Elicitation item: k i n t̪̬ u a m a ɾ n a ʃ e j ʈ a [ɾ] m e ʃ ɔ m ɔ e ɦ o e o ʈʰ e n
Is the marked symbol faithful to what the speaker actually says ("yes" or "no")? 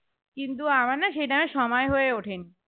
no